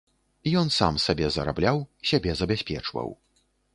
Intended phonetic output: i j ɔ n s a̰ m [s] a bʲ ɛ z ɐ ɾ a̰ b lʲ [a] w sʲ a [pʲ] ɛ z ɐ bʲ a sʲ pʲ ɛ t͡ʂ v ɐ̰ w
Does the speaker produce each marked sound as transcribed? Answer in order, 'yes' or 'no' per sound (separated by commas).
yes, yes, no